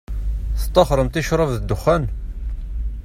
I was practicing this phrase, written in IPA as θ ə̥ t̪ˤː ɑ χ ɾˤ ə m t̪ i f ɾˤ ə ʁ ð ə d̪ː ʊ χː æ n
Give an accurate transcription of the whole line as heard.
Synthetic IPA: θ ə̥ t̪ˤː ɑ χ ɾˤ ə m t̪ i ʃ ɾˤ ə v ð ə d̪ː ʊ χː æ n